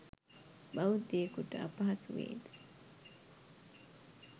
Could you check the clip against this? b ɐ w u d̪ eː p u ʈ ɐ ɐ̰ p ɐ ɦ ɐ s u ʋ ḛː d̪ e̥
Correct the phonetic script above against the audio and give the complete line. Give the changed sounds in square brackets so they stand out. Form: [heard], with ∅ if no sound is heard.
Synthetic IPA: b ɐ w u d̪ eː [k] u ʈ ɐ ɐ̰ p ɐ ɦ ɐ s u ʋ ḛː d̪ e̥